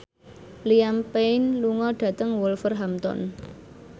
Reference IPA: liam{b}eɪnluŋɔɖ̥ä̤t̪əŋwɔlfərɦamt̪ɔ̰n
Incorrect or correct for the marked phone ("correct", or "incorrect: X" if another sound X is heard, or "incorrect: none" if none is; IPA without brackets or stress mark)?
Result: incorrect: p